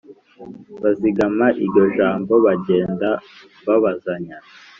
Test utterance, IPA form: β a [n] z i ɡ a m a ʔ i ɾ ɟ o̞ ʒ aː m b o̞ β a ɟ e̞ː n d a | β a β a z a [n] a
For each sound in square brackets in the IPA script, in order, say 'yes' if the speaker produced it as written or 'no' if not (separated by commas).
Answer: no, no